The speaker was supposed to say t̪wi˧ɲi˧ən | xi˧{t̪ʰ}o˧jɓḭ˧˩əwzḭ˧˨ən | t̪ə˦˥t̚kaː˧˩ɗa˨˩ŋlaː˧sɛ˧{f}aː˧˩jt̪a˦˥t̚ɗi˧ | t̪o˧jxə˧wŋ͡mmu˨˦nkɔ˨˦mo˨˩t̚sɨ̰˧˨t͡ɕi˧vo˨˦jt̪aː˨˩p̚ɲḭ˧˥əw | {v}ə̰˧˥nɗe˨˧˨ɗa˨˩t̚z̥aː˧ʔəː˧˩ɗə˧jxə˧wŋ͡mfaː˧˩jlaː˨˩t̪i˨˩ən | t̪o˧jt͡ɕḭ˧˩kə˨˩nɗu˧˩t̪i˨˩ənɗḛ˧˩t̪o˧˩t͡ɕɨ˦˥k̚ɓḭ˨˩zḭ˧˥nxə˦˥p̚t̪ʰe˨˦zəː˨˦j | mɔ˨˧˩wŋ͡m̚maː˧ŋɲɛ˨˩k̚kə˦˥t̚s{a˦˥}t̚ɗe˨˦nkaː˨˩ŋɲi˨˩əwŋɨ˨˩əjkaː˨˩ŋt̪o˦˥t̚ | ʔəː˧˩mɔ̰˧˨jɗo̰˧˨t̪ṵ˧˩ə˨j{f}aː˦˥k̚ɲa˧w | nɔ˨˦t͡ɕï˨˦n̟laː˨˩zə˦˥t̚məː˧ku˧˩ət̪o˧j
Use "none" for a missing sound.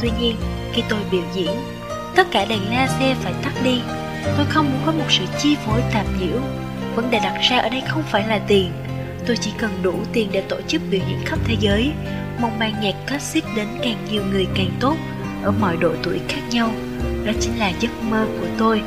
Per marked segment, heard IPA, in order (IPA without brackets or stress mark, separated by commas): t̪, f, v, i˦˥, x